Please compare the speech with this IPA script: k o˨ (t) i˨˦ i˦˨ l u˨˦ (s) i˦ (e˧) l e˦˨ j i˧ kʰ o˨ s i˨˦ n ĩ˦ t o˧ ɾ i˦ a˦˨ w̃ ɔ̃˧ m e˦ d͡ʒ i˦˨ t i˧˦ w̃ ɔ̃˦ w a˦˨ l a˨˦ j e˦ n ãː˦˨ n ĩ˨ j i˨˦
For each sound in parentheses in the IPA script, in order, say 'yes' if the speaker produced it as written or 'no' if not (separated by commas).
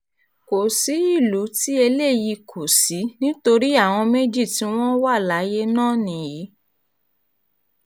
no, no, yes